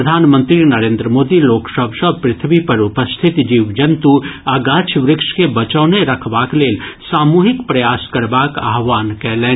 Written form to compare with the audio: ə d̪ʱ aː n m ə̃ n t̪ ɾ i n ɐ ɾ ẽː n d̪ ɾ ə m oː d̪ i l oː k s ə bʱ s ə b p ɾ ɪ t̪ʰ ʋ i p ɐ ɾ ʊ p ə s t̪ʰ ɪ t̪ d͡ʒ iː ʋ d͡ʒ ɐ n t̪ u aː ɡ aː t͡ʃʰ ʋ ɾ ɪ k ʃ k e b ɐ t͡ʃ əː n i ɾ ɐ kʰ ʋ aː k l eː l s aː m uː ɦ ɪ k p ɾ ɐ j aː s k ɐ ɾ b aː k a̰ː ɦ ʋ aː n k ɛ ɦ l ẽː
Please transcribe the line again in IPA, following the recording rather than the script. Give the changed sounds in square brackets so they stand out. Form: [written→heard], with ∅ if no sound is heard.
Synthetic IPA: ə d̪ʱ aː n m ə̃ n t̪ ɾ i n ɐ ɾ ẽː n d̪ ɾ ə m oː d̪ i l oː k s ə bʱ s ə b p ɾ ɪ t̪ʰ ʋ i p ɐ ɾ ʊ p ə s t̪ʰ ɪ t̪ d͡ʒ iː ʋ d͡ʒ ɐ n t̪ u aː ɡ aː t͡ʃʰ ʋ ɾ ɪ k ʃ k e b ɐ t͡ʃ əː n [i→e] ɾ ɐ kʰ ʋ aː k l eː l s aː m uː ɦ ɪ k p ɾ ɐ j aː s k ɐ ɾ b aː k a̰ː ɦ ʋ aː n k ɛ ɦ l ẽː